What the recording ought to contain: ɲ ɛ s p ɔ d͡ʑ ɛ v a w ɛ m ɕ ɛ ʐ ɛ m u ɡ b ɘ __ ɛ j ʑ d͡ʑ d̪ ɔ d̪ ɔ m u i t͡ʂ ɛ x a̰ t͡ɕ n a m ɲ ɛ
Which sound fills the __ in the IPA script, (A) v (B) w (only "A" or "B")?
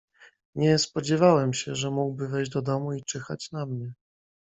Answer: A